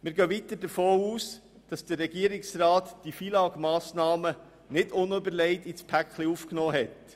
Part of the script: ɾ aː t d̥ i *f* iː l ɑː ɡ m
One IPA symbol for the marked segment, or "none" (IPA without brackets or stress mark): f